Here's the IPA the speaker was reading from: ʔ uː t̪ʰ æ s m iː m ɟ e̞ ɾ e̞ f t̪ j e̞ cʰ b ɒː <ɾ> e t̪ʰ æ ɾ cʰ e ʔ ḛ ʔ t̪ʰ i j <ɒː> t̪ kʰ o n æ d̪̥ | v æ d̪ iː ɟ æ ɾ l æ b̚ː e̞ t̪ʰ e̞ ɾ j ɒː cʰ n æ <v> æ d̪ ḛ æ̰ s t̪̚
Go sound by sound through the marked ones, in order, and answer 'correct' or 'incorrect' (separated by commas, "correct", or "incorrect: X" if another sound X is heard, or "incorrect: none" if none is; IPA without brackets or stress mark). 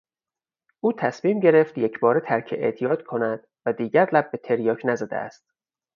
correct, correct, incorrect: z